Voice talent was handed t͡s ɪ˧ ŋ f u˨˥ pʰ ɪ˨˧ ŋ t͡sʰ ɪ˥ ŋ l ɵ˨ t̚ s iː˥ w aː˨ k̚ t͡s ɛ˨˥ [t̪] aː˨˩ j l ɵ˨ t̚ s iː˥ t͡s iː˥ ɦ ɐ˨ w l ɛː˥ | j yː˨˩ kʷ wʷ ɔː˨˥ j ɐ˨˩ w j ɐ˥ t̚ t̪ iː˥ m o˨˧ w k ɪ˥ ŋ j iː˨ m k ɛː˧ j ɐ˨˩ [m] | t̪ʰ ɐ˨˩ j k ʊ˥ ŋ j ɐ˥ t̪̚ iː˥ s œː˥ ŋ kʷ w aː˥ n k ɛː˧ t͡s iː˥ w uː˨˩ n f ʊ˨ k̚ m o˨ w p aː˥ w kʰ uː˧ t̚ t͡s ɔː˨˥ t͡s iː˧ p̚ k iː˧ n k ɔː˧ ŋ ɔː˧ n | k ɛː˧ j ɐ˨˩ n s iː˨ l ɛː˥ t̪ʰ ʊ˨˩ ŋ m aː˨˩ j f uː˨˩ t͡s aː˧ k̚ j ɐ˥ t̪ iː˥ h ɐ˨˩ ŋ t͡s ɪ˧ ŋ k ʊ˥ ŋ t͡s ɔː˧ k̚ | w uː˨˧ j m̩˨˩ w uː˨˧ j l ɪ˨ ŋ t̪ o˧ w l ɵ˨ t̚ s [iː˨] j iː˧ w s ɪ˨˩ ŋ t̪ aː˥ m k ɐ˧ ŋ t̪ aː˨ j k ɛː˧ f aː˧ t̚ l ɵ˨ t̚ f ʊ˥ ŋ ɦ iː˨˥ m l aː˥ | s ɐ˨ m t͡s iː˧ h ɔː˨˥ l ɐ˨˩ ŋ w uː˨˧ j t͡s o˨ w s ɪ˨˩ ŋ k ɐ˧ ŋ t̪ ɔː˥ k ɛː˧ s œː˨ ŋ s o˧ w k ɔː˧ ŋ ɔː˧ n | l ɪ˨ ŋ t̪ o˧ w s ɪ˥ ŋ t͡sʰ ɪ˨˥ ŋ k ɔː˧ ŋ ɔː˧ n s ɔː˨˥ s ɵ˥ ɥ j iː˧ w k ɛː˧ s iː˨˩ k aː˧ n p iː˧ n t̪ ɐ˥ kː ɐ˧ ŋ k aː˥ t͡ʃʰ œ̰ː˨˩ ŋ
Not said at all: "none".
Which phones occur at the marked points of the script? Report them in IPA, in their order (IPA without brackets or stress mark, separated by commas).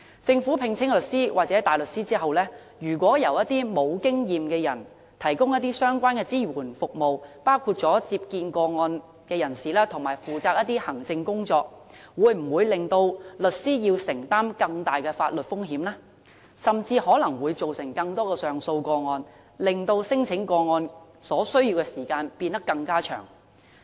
t̪, n, iː˥